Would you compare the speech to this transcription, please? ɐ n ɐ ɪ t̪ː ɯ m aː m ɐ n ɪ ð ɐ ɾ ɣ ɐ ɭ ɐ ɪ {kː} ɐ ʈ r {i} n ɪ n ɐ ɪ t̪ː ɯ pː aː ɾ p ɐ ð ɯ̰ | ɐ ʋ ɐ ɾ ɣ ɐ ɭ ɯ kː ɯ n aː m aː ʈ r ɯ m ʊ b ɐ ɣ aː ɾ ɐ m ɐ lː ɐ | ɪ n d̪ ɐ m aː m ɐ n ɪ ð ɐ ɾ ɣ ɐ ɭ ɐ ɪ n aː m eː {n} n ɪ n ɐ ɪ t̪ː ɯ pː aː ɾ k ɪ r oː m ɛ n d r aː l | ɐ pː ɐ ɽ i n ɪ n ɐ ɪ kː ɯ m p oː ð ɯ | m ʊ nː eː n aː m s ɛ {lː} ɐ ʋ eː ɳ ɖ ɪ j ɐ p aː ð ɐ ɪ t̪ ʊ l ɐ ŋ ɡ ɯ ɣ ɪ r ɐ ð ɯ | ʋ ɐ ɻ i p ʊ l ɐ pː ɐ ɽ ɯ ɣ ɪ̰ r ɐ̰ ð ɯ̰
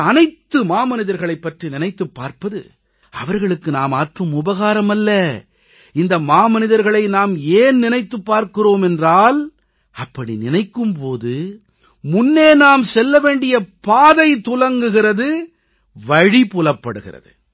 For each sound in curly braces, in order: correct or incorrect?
incorrect: pː, correct, correct, correct

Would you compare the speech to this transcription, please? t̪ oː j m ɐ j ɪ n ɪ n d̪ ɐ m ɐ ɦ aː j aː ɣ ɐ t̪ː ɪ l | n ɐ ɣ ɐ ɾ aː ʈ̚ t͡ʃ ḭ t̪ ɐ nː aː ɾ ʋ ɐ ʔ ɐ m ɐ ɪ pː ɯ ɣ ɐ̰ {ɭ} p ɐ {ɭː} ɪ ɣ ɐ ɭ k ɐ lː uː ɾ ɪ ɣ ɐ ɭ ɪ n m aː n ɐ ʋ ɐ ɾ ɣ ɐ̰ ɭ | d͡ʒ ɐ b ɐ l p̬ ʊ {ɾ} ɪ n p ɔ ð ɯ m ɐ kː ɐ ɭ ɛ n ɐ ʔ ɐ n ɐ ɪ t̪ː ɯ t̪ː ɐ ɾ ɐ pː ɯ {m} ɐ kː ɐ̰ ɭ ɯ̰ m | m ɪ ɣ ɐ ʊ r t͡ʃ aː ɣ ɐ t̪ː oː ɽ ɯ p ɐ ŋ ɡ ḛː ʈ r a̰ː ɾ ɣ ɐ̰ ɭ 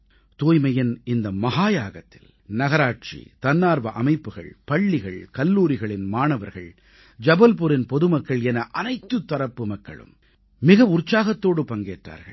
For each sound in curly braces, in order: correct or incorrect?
correct, correct, correct, correct

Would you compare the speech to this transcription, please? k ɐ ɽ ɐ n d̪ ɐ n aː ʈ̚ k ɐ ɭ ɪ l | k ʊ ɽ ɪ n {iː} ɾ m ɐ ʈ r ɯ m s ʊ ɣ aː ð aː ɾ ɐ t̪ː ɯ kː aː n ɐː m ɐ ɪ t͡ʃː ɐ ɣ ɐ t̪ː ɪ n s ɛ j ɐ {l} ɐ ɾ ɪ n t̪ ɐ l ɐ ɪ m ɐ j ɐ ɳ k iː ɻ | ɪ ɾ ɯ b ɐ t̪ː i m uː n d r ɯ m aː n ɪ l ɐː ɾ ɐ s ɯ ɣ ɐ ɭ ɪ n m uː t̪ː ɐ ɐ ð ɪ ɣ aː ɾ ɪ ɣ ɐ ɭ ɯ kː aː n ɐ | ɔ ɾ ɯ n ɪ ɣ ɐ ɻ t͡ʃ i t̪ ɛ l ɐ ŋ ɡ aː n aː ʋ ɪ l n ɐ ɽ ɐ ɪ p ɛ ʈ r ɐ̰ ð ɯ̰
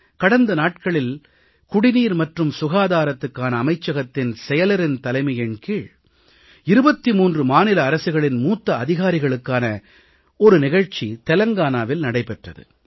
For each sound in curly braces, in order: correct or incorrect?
correct, correct

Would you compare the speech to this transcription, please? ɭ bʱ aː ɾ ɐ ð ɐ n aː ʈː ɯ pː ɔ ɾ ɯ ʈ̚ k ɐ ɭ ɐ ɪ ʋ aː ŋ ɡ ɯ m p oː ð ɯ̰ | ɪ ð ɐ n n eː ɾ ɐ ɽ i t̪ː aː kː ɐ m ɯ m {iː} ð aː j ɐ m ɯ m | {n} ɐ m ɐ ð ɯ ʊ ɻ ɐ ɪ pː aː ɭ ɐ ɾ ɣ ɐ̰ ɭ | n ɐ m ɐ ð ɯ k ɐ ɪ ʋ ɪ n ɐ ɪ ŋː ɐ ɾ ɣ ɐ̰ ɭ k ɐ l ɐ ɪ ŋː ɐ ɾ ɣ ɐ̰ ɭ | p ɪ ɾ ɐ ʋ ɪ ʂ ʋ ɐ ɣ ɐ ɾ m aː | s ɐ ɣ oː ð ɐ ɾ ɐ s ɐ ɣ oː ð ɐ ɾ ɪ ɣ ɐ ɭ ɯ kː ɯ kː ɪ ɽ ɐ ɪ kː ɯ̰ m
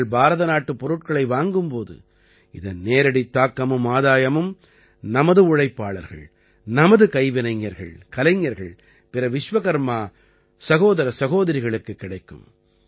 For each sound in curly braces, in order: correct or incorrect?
incorrect: aː, correct

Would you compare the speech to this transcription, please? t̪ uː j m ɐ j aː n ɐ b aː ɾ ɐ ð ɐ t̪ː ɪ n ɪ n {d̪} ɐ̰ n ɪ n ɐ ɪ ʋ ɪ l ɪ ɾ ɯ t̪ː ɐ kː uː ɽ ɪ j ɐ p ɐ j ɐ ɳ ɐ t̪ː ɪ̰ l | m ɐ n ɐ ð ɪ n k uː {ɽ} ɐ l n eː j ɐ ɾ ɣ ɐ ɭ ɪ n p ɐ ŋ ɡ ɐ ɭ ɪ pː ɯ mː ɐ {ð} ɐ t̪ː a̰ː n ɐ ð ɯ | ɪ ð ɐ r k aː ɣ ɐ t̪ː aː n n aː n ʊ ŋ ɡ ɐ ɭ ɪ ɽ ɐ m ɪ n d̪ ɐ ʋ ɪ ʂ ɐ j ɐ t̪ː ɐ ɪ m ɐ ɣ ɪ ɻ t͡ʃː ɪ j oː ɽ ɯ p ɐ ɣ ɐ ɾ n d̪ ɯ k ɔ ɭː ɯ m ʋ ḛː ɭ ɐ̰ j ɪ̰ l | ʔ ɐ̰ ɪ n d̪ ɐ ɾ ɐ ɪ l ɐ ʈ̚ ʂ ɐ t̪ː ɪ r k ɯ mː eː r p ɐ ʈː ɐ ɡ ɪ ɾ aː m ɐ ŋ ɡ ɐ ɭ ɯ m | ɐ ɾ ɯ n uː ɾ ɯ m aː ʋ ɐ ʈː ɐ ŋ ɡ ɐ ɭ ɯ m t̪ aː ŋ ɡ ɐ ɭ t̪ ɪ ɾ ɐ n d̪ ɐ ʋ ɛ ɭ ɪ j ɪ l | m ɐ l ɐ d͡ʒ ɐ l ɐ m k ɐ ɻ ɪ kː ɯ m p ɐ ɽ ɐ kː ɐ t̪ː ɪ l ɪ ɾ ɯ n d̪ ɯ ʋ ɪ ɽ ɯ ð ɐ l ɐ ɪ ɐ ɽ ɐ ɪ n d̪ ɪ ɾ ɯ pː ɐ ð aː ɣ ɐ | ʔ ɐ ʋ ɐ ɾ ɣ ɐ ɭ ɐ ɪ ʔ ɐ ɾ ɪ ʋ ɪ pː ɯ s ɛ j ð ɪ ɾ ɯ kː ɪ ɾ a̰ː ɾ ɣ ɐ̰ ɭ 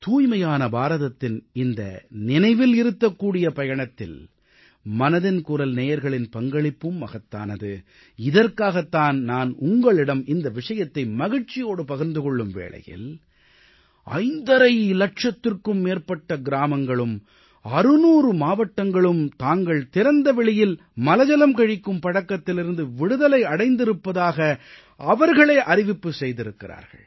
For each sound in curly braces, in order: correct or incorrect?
correct, incorrect: ɾ, incorrect: ɣ

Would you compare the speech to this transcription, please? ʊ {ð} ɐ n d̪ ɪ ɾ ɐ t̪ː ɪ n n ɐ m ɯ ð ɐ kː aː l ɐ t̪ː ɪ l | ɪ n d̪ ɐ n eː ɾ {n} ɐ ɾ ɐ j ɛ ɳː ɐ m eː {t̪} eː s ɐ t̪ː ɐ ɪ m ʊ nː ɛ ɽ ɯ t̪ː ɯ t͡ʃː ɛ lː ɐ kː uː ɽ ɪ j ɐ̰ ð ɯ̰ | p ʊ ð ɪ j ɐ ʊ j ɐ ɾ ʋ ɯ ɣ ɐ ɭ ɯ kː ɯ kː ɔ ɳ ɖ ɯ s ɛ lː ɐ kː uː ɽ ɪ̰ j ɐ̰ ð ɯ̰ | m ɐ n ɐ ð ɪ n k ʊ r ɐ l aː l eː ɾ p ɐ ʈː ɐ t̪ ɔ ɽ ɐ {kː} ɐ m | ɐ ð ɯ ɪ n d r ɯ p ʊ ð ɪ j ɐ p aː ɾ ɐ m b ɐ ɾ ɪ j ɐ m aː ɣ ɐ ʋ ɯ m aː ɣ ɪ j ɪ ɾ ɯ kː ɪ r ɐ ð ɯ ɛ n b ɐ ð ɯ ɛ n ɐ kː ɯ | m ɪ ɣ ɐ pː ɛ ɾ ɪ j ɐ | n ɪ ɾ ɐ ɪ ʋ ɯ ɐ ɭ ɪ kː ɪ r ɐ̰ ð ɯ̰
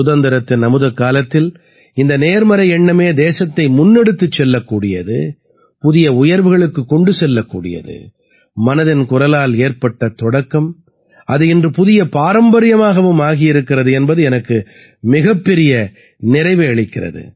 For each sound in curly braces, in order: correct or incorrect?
correct, incorrect: m, incorrect: d̪, correct

